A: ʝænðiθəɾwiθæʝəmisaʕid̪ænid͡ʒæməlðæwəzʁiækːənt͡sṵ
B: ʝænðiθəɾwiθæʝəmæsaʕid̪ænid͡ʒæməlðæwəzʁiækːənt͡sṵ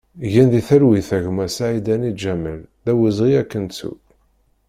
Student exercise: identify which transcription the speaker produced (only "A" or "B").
B